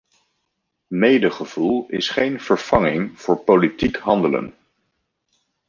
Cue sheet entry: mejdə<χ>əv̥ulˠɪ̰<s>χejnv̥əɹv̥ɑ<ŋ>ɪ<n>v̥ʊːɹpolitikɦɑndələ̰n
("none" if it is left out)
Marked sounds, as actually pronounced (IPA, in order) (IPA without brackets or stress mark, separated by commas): χ, s, ŋ, ŋ